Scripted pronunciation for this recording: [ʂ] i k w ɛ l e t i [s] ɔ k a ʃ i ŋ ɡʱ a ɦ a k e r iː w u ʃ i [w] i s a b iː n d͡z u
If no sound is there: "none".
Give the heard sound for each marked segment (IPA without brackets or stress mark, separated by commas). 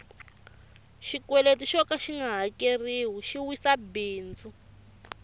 ʃ, ʃ, w